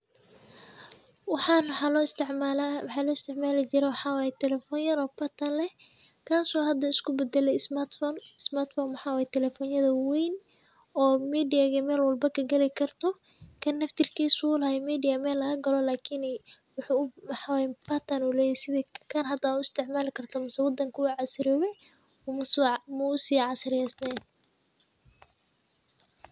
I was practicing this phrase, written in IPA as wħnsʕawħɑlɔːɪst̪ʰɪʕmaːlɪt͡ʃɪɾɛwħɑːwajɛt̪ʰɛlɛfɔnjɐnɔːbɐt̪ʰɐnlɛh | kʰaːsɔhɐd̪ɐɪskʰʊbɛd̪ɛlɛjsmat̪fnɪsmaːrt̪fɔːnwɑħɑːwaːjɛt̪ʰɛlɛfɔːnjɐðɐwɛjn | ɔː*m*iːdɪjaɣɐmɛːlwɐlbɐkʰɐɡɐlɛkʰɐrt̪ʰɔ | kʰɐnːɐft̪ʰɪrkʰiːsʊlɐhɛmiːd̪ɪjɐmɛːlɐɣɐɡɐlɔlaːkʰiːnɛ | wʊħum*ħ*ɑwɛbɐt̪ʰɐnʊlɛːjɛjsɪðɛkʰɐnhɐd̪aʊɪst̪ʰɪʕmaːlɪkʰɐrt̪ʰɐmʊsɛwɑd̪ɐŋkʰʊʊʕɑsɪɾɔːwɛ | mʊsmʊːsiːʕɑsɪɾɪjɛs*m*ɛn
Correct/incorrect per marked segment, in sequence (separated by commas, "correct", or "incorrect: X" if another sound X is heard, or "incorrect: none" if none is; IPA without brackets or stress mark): correct, correct, incorrect: n